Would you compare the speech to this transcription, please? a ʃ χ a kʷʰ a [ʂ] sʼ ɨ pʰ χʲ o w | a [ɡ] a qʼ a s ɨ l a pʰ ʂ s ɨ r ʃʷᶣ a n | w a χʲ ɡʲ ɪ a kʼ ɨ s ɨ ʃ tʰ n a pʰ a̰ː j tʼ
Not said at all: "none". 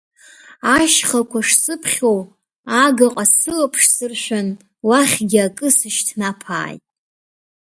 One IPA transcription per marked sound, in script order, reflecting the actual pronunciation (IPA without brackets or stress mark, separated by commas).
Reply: ʂ, ɡ